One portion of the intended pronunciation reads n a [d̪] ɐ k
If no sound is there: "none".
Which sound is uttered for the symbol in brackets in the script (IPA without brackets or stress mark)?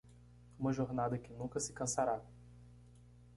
d̪